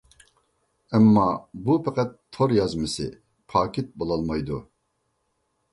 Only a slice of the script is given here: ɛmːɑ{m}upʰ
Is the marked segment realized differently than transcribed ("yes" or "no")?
yes